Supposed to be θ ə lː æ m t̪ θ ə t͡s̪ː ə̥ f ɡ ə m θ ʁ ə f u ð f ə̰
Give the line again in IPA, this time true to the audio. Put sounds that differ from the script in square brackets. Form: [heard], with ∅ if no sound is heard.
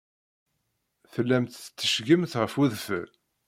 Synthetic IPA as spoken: θ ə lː æ m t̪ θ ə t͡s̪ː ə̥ [ʃ] ɡ ə m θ ʁ ə f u ð f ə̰